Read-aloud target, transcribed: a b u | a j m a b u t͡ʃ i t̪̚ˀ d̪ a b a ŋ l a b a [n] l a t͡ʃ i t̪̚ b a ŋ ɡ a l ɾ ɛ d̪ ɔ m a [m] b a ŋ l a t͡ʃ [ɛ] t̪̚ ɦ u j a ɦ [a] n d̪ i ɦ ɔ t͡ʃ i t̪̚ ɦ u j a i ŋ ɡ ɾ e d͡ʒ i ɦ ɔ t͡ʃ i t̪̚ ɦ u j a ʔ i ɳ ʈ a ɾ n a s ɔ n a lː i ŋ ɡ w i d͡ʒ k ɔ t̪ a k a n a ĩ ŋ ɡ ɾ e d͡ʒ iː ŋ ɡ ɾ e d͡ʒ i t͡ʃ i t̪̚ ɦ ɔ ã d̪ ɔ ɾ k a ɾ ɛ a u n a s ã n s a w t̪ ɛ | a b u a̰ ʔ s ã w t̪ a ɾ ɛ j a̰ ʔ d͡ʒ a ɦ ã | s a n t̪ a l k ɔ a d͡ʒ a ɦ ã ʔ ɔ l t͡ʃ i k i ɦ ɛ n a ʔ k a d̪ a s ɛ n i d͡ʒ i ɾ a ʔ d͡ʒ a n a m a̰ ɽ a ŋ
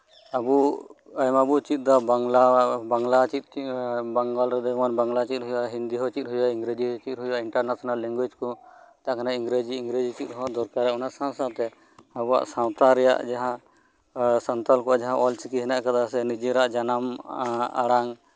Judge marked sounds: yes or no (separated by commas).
no, no, no, no